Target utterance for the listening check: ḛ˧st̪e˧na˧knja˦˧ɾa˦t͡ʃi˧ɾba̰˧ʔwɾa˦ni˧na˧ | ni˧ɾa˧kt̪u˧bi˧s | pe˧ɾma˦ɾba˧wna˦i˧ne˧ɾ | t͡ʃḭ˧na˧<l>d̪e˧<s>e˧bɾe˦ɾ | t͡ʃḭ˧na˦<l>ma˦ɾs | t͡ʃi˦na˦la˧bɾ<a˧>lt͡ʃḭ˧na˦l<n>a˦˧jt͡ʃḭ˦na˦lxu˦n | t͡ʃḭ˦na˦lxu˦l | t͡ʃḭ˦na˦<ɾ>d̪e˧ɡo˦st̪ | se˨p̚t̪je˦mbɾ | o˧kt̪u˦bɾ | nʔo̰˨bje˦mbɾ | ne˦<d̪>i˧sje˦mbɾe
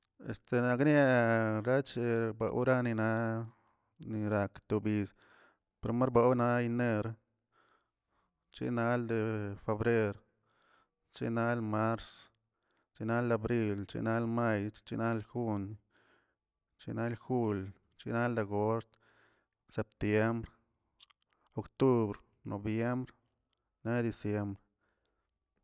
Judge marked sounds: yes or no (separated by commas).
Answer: yes, no, yes, no, no, no, yes